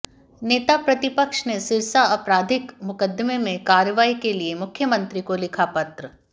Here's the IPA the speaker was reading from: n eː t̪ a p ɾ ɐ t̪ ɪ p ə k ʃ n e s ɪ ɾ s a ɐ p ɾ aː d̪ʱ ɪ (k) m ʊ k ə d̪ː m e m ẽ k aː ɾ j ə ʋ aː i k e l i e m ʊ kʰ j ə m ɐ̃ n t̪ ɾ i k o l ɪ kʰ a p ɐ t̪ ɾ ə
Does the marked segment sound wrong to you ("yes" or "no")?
no